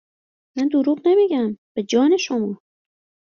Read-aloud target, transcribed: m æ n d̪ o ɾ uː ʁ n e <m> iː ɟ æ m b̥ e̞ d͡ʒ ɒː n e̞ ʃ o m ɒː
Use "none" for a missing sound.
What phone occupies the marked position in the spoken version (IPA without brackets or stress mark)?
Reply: m